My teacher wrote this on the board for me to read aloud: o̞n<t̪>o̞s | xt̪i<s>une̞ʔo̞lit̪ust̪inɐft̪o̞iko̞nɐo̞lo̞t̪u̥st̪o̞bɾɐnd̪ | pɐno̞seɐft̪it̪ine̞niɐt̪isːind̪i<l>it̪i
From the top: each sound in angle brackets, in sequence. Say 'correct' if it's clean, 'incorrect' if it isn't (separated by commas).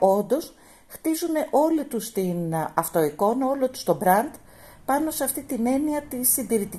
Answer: incorrect, incorrect, incorrect